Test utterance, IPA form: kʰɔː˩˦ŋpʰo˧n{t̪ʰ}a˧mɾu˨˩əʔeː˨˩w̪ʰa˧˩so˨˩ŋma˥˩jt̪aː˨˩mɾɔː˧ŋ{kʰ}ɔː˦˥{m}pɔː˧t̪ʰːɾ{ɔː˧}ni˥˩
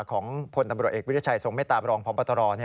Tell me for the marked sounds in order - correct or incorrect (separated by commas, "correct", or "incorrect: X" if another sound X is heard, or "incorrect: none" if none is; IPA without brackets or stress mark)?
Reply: incorrect: t̪, incorrect: pʰ, correct, correct